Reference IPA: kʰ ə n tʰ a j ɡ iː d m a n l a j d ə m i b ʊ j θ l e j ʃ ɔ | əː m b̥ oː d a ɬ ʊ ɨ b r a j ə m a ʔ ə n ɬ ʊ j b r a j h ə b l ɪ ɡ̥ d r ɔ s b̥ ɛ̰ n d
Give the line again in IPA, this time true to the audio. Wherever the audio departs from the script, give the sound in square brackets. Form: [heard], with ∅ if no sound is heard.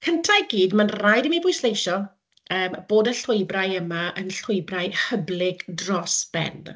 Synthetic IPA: kʰ ə n tʰ a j ɡ iː d m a n [r] a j d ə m i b ʊ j [s] l e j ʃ ɔ | əː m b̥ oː d [ə] ɬ ʊ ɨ b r a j ə m a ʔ ə n ɬ ʊ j b r a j h ə b l ɪ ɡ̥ d r ɔ s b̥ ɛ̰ n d